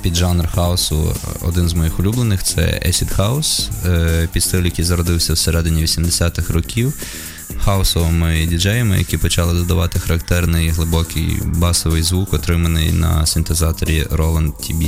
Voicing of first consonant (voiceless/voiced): voiceless